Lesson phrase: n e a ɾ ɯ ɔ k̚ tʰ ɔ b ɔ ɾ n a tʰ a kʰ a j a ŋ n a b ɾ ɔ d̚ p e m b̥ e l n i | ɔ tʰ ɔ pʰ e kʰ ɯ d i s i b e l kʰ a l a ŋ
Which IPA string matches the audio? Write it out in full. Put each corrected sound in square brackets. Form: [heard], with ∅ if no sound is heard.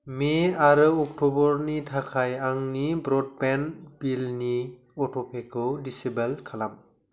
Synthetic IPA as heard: [m] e a ɾ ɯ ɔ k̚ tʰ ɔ b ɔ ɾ n [i] tʰ a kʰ a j a ŋ n [i] b ɾ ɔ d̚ p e [n] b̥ [i] l n i | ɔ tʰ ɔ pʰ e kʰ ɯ d i s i b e l kʰ a l a [m]